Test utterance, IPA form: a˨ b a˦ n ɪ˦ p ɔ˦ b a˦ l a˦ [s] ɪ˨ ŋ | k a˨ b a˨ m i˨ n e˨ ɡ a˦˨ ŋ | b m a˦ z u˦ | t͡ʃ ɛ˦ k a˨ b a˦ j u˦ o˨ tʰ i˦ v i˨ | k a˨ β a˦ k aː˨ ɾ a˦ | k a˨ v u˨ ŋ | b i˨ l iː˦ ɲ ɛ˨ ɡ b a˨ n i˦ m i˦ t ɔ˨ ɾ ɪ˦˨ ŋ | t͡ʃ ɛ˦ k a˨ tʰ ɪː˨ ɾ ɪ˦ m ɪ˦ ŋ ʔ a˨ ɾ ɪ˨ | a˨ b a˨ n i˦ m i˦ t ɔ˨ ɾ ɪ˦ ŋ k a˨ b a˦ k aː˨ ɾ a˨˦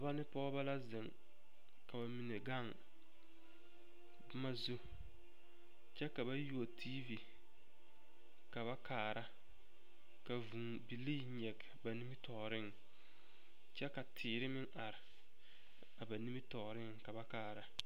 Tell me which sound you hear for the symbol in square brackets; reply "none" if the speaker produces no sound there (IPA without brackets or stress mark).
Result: z